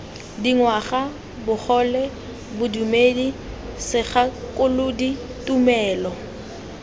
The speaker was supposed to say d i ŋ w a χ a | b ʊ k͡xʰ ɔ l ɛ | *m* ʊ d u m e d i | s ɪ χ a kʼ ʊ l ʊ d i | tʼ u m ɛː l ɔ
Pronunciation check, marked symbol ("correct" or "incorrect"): incorrect